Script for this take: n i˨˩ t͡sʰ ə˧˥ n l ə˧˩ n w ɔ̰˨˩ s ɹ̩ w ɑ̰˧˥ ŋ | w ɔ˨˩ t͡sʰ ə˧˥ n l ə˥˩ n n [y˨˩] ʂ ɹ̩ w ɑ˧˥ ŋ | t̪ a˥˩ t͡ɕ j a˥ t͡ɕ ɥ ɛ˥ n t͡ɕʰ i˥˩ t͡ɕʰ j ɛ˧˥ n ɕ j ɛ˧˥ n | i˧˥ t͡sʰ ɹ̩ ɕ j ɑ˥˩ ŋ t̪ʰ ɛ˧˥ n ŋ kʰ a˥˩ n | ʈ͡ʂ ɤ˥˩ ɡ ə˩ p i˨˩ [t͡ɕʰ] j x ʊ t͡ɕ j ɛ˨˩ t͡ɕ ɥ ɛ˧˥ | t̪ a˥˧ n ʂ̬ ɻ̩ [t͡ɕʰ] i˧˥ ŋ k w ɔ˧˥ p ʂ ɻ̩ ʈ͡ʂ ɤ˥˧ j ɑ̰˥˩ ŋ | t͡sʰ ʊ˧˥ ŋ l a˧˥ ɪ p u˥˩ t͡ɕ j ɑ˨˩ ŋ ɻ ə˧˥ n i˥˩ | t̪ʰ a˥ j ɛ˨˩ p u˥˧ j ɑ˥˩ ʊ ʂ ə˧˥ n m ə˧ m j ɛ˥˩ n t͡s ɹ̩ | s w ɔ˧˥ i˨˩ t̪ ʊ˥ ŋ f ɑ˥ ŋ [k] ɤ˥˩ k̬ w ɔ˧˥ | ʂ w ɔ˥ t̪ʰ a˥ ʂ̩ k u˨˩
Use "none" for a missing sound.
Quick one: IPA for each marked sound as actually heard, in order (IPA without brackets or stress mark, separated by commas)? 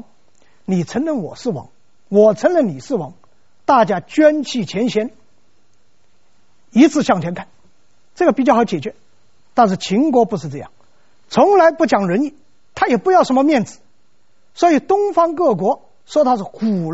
i˨˩, t͡ɕ, t͡ɕʰ, k